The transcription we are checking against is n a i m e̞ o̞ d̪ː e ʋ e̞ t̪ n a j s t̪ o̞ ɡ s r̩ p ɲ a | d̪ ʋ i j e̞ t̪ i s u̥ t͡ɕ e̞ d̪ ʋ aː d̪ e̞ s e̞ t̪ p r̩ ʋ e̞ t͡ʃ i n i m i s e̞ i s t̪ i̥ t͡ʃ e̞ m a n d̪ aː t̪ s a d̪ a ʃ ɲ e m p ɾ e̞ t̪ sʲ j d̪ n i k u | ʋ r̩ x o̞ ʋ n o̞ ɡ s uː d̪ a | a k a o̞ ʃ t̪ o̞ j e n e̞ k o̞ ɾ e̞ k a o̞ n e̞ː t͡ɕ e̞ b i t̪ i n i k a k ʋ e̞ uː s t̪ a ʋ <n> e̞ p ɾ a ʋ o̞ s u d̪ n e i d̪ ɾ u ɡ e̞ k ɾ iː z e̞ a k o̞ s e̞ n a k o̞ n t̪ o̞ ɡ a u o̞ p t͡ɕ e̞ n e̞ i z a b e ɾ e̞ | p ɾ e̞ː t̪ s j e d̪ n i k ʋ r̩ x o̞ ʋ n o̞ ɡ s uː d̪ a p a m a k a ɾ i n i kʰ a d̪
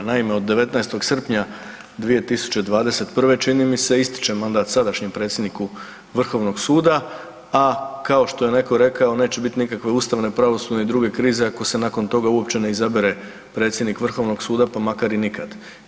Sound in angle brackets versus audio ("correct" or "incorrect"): correct